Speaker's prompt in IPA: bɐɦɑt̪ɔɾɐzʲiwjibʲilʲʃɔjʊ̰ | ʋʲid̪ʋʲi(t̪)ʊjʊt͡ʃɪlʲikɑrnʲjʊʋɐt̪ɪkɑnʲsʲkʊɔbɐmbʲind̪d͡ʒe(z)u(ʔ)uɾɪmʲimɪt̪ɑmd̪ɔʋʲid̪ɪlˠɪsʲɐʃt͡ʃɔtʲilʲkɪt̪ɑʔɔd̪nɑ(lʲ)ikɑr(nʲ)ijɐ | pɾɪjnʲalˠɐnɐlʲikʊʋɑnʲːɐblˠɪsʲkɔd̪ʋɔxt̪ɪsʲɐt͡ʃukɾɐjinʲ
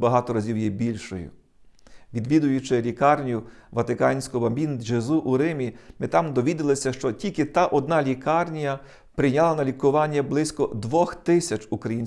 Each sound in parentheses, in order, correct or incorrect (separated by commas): incorrect, correct, correct, correct, correct